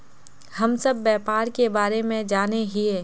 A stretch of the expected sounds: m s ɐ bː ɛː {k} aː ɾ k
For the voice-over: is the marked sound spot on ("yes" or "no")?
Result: no